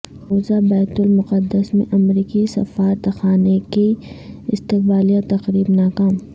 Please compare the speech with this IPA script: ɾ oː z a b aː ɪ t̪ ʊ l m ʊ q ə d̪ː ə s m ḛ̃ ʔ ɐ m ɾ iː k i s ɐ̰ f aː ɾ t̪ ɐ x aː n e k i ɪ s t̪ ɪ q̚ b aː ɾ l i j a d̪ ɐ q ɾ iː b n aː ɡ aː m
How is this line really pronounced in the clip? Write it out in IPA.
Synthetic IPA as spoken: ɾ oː z a b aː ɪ t̪ ʊ l m ʊ q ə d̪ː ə s m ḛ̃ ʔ ɐ m ɾ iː k i s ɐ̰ f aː ɾ t̪ ɐ x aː n e k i ɪ s t̪ ɪ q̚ b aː l i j a t̪ ɐ q ɾ iː b n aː k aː m